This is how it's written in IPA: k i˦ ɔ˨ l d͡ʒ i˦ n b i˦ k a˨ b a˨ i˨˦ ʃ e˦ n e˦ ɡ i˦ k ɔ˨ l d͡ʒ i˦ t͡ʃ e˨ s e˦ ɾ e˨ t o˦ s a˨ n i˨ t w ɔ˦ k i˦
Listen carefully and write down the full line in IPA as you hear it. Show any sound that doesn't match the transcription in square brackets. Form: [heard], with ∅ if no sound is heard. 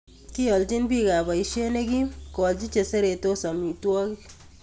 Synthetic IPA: k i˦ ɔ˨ l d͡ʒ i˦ n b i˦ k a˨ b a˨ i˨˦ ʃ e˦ n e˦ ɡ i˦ k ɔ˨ l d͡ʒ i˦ t͡ʃ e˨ s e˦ ɾ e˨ t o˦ s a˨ [m] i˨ t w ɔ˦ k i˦